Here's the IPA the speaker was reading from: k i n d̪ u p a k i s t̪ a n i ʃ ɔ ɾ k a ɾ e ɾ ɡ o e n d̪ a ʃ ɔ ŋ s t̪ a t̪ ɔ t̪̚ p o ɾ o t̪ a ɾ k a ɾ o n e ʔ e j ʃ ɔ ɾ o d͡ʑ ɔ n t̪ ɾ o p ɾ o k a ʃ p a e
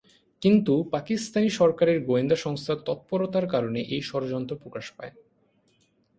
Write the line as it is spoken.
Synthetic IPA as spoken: k i n t̪ u p a k i s t̪ a n i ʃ ɔ ɾ k a ɾ e ɾ ɡ o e n d̪ a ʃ ɔ ŋ s t̪ʰ a t̪ ɔ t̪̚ p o ɾ o t̪ a ɾ k a ɾ o n e ʔ e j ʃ ɔ ɾ o d͡ʑ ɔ n t̪ ɾ o p ɾ o k a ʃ p a e